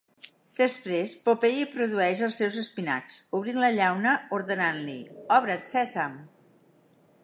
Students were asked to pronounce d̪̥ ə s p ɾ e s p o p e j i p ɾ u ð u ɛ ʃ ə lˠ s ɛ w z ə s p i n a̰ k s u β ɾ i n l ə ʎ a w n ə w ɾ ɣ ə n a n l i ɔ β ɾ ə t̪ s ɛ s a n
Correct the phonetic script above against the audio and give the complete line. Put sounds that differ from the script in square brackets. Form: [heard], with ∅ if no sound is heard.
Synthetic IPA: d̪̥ ə s p ɾ e s p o p e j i p ɾ u ð u ɛ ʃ ə lˠ s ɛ w z ə s p i n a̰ k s u β ɾ i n l ə ʎ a w n ə [u] ɾ [ð] ə n a n l i ɔ β ɾ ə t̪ s ɛ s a [m]